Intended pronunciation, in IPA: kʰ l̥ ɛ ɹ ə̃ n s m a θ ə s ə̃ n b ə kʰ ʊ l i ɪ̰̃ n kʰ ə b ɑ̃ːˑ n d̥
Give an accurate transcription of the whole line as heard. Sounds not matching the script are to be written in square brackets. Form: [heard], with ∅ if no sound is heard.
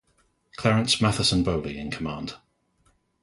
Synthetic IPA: kʰ l̥ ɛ ɹ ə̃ n s m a θ ə s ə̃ n b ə [∅] ʊ l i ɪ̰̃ n kʰ ə [m] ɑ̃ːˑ n d̥